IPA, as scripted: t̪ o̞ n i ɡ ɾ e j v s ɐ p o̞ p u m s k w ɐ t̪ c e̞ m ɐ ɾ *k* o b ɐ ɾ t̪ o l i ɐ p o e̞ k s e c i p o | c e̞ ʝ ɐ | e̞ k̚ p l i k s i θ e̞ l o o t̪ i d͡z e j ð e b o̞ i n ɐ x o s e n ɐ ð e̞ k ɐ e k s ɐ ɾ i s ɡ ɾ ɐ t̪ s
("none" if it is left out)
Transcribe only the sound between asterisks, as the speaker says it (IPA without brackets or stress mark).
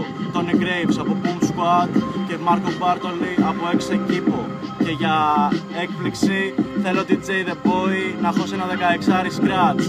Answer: k